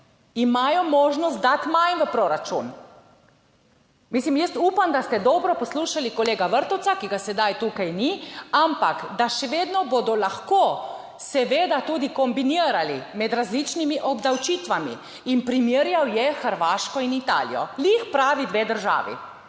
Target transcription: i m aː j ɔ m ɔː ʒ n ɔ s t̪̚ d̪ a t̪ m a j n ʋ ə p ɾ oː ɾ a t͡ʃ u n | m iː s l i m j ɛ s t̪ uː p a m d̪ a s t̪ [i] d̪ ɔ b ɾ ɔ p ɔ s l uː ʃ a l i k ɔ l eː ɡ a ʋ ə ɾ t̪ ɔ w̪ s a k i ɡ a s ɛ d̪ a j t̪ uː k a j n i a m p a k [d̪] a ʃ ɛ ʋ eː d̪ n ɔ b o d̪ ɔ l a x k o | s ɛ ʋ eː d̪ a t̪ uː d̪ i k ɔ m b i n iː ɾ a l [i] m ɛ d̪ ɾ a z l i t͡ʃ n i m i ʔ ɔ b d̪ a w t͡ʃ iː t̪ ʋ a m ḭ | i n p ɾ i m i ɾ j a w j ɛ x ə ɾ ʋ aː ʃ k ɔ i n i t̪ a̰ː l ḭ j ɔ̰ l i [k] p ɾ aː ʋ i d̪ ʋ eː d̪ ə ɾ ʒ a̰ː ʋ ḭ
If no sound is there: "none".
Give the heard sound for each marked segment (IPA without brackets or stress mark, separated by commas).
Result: ɛ, d̪, i, x